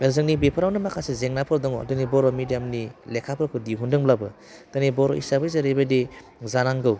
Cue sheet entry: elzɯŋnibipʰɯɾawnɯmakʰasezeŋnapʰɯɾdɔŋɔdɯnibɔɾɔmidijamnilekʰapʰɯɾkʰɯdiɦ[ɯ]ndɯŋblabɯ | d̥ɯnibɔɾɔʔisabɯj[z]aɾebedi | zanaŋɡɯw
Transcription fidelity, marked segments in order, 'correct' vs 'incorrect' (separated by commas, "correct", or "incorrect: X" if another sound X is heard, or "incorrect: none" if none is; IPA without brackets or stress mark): incorrect: u, correct